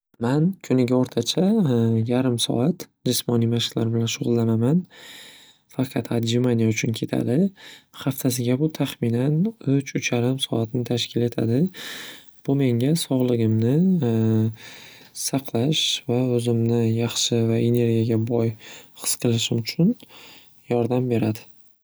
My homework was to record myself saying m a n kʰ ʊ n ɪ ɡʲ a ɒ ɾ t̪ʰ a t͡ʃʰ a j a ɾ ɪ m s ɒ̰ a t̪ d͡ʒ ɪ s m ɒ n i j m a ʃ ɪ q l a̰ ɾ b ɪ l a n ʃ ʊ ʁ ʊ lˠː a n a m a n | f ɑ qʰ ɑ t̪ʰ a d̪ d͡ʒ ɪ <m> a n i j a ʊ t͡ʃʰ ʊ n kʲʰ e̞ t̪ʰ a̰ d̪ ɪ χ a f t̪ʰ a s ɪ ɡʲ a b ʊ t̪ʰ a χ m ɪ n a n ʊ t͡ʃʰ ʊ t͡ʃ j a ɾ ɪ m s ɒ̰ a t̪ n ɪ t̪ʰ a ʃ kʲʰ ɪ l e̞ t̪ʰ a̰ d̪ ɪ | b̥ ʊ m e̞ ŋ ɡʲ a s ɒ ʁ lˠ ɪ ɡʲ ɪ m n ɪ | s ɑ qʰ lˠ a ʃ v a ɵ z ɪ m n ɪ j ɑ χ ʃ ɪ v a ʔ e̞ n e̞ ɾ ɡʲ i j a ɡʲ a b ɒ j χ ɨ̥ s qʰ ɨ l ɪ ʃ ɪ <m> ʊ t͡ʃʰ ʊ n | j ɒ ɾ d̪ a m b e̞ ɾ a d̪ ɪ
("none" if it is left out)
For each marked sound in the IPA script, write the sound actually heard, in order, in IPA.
m, m

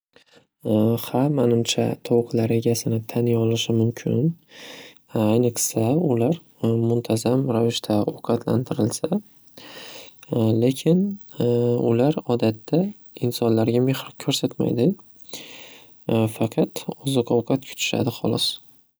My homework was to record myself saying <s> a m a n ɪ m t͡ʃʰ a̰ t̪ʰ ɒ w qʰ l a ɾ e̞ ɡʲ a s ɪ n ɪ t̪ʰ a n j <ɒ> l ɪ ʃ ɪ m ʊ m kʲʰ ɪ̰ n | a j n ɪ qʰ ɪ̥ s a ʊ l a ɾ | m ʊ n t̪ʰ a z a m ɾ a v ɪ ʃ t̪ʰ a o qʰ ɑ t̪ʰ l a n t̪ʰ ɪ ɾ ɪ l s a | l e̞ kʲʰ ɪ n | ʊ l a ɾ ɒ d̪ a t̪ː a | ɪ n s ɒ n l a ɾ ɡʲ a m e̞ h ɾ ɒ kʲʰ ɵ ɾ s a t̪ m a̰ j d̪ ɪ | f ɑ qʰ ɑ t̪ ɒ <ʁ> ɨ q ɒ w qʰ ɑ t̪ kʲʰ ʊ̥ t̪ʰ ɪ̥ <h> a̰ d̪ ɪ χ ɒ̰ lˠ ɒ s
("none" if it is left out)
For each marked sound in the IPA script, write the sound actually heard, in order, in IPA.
h, ɒ, z, ʃ

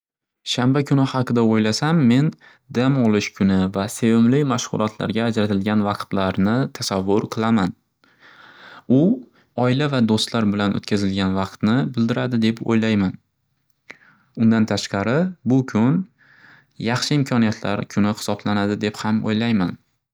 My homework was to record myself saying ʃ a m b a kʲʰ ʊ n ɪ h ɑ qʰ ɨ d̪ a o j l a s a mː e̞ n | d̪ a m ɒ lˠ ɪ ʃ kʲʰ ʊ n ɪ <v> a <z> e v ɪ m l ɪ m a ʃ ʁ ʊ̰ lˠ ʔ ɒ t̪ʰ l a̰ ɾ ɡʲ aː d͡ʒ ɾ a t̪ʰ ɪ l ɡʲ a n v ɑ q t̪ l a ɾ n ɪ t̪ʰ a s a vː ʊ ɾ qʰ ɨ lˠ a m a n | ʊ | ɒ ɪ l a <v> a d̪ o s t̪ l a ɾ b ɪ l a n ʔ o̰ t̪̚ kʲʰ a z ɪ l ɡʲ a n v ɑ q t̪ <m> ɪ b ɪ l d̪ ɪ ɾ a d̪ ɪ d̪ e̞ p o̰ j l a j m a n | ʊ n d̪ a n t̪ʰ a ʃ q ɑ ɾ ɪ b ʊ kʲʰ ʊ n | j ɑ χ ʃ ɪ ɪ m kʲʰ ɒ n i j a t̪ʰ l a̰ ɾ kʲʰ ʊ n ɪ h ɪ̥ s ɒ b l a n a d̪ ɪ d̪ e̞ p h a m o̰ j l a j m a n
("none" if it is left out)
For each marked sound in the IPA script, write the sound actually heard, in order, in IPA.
v, s, v, n

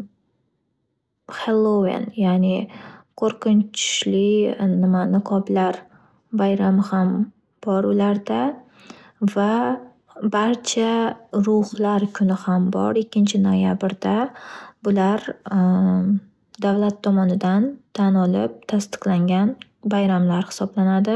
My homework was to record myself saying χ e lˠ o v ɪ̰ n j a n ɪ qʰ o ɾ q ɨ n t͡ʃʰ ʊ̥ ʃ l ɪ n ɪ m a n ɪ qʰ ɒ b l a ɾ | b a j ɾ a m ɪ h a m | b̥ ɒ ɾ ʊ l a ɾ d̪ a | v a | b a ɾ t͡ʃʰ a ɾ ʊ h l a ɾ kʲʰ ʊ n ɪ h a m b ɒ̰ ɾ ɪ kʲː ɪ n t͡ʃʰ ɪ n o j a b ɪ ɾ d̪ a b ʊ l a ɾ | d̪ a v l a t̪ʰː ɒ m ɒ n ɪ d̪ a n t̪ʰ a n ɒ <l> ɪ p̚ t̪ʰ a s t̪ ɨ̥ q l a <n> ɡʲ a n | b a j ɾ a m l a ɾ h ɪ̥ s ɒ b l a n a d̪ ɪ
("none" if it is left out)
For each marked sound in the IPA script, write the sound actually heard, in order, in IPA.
l, ŋ

